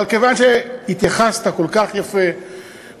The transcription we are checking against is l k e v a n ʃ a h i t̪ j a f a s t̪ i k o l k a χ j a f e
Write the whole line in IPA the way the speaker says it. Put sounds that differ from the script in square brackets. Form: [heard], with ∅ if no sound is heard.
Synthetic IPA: l k e v a n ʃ [e] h i t̪ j a [χ] a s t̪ [a] k o l k a χ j a f e